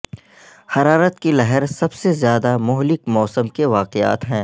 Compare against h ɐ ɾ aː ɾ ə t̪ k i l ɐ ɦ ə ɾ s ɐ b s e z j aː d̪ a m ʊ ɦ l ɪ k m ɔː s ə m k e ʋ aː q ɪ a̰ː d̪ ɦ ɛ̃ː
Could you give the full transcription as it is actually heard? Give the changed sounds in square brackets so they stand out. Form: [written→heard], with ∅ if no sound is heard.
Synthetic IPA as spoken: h ɐ ɾ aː ɾ ə t̪ k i l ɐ ɦ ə ɾ s ɐ b s e z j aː d̪ a m ʊ ɦ l ɪ k m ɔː s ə m k e ʋ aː q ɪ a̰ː [d̪→t̪] ɦ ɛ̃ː